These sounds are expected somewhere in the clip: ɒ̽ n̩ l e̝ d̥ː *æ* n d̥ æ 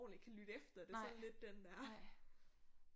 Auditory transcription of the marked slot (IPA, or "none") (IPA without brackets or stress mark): e